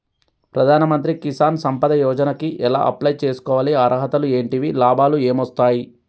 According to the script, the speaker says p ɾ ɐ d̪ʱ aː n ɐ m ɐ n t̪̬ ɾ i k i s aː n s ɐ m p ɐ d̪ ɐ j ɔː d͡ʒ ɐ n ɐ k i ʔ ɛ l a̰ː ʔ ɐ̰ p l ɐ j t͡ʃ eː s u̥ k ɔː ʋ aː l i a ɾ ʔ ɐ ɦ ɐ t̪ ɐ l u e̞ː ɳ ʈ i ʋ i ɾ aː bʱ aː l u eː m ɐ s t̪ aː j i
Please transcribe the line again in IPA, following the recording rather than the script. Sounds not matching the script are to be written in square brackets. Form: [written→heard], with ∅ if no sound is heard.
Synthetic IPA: p ɾ ɐ d̪ʱ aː n ɐ m ɐ n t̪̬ ɾ i k i s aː n s ɐ m p ɐ d̪ ɐ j ɔː d͡ʒ ɐ n ɐ k i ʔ ɛ l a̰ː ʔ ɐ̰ p l ɐ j t͡ʃ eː s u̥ k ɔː ʋ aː l i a ɾ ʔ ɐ ɦ ɐ t̪ ɐ l u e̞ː ɳ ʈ i ʋ i [ɾ→l] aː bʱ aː l u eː m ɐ s t̪ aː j i